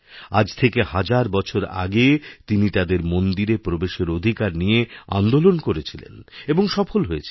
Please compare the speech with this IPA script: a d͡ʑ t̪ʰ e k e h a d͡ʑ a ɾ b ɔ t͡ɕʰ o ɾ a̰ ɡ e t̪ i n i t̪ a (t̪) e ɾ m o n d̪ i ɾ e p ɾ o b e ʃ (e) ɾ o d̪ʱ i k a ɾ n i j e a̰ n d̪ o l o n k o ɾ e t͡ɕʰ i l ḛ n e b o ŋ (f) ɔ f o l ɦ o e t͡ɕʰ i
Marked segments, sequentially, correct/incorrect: incorrect, correct, incorrect

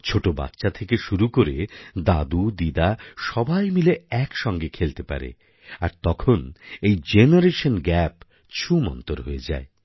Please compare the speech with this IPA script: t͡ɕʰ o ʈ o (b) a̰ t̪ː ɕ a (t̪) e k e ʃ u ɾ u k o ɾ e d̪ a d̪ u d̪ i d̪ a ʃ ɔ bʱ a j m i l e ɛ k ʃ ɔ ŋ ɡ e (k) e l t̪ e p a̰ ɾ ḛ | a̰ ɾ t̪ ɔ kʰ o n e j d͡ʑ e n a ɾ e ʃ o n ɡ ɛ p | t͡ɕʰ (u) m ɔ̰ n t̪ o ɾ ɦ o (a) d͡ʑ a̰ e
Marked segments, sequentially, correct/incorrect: correct, incorrect, incorrect, correct, incorrect

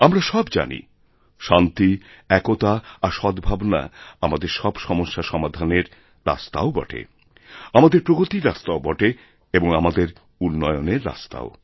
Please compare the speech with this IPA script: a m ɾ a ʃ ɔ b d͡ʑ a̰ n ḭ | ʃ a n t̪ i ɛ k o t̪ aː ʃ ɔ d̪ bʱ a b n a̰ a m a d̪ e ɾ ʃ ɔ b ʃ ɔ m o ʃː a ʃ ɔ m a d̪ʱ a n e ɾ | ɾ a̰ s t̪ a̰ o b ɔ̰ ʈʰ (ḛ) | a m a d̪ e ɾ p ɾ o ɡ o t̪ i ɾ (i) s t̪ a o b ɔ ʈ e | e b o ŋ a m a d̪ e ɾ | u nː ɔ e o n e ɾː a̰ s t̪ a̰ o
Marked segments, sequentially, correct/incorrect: correct, incorrect

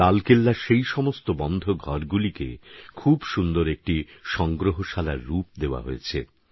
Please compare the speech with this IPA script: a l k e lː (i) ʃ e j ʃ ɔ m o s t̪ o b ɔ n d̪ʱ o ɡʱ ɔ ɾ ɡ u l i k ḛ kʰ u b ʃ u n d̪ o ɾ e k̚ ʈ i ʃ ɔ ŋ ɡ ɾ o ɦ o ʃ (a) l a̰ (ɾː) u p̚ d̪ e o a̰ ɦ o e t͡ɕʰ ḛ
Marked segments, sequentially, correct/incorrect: incorrect, correct, correct

